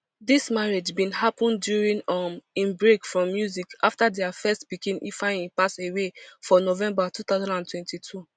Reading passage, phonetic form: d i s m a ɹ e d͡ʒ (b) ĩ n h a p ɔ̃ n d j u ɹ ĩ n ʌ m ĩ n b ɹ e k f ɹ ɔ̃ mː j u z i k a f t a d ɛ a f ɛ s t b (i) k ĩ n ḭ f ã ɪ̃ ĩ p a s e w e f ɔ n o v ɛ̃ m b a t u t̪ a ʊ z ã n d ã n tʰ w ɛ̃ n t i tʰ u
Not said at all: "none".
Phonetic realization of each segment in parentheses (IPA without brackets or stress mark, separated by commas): b, i